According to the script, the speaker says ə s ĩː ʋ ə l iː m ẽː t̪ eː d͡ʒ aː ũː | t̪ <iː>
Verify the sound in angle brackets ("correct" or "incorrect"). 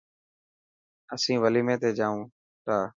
incorrect